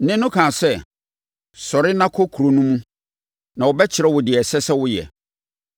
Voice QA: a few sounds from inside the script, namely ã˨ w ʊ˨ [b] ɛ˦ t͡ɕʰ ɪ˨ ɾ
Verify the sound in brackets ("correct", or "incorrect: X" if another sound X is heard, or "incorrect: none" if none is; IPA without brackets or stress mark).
correct